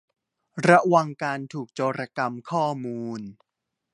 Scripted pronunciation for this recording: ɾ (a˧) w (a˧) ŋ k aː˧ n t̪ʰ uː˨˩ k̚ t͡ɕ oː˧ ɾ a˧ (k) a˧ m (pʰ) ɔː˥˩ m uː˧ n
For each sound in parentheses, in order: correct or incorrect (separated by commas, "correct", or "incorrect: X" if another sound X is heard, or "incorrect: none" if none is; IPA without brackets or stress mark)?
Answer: incorrect: a˦˥, correct, correct, incorrect: kʰ